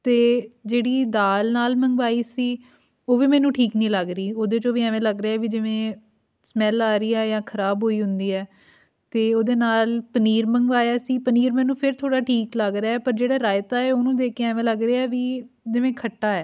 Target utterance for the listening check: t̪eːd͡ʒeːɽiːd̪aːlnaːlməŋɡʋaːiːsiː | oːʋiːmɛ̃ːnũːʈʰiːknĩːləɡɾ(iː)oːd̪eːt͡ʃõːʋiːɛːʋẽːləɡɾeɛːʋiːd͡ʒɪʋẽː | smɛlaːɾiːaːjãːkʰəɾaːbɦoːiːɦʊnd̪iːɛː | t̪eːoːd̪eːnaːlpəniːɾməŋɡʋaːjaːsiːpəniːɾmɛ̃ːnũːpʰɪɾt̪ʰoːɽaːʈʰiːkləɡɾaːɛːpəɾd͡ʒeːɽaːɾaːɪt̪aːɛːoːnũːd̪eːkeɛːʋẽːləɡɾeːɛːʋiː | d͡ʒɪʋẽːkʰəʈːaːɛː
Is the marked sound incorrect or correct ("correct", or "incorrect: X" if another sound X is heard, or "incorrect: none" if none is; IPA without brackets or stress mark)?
correct